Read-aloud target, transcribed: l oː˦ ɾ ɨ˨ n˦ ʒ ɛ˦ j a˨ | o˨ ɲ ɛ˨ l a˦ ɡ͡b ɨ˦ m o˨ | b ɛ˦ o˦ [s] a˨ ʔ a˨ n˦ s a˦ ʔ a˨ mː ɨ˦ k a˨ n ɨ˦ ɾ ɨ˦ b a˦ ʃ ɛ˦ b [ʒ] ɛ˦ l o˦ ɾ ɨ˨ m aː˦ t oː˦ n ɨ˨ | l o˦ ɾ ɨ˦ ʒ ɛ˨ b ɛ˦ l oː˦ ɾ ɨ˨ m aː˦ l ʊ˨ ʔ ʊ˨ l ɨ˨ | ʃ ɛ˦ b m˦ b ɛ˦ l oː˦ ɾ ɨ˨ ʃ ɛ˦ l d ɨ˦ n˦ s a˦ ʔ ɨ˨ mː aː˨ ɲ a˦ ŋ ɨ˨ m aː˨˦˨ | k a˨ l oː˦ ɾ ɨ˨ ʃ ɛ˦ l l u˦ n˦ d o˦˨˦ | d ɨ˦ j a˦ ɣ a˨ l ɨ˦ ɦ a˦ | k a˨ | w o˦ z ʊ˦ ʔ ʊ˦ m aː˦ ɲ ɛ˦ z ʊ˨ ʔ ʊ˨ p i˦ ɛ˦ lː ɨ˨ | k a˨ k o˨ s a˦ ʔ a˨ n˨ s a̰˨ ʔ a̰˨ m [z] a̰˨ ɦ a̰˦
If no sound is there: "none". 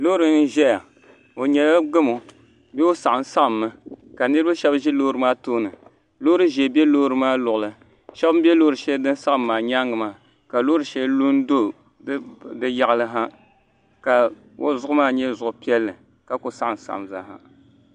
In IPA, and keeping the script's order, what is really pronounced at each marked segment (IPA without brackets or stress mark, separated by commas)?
s, ʒ, z